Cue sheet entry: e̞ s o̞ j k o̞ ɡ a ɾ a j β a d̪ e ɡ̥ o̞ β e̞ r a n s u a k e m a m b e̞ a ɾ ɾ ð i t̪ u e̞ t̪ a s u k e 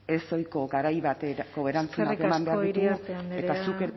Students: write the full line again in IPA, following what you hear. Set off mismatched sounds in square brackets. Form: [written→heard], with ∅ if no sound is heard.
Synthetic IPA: e̞ s o̞ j k o̞ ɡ a ɾ a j β a [d̪→t̪] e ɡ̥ o̞ β e̞ [r→ɾ] a n [s→t͡s] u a k e m a m b e̞ a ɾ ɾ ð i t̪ u e̞ t̪ a s u k e